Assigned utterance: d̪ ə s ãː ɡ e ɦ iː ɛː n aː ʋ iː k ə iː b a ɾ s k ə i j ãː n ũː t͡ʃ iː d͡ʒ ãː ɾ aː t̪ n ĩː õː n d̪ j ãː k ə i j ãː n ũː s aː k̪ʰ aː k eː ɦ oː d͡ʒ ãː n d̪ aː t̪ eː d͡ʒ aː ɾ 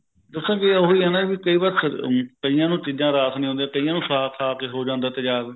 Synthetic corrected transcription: d̪ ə s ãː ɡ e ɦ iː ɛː n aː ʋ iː k ə iː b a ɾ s k ə i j ãː n ũː t͡ʃ iː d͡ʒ ãː ɾ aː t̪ n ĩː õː n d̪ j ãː k ə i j ãː n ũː s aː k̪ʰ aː k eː ɦ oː d͡ʒ ãː n d̪ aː t̪ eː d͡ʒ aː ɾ